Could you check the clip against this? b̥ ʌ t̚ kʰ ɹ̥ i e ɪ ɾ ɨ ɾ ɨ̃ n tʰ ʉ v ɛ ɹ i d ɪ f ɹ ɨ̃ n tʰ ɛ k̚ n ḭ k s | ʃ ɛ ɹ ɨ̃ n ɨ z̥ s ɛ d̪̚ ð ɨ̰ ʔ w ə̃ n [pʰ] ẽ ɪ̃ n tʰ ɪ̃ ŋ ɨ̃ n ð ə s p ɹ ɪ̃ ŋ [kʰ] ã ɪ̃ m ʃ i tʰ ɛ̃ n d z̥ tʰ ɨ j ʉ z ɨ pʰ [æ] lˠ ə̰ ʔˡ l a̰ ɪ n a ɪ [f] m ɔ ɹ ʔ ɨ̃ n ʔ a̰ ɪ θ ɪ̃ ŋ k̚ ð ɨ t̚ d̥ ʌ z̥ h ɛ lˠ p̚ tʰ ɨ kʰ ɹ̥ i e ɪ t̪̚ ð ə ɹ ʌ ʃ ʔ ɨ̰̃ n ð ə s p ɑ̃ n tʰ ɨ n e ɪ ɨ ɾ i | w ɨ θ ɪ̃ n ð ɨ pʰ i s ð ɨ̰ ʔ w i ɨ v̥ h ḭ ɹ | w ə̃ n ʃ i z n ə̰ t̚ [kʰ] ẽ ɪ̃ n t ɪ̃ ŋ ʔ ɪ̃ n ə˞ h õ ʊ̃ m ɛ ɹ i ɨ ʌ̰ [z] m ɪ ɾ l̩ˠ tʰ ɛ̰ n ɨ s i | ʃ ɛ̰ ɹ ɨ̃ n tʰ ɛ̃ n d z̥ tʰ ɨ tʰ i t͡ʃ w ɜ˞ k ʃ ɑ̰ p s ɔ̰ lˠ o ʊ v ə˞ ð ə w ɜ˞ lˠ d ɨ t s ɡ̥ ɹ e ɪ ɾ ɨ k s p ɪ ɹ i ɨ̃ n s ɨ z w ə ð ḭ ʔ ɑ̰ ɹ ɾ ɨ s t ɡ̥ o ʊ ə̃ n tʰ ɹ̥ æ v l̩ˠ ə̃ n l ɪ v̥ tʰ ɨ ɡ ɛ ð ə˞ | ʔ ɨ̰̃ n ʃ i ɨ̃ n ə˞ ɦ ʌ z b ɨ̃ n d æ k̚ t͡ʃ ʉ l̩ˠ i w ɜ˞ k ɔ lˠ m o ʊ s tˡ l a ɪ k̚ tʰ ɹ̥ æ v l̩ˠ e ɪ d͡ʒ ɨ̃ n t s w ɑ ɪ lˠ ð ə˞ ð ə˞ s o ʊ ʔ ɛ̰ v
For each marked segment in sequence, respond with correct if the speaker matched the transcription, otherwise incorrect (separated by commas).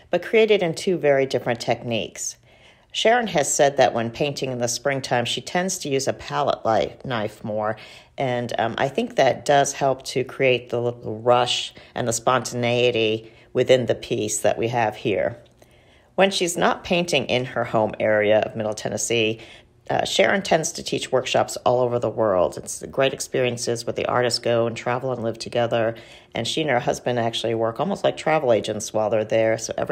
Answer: correct, incorrect, correct, correct, incorrect, incorrect